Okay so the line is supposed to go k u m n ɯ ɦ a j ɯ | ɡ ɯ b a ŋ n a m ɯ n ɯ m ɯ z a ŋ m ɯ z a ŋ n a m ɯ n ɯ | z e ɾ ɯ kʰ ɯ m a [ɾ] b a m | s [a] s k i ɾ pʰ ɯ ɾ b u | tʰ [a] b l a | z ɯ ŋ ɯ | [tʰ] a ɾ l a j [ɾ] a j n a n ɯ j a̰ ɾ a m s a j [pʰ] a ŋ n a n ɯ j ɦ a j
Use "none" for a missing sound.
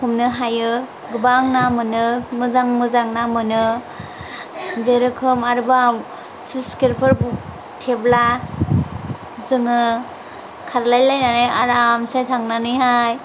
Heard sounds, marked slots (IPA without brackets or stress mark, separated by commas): ɾ, i, e, kʰ, l, tʰ